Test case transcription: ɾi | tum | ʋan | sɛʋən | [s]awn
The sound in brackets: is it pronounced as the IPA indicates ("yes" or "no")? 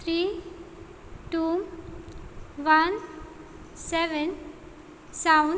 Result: yes